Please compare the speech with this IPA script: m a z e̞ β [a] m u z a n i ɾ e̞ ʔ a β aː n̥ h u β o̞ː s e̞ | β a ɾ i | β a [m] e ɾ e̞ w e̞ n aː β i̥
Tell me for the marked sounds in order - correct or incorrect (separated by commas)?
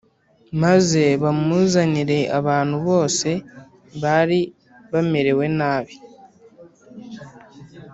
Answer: correct, correct